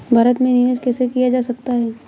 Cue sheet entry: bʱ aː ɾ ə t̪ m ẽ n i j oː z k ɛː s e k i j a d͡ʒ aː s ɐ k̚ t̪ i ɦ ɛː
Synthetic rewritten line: bʱ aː ɾ ə t̪ m ẽ n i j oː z k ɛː s e k i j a d͡ʒ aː s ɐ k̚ t̪ a ɦ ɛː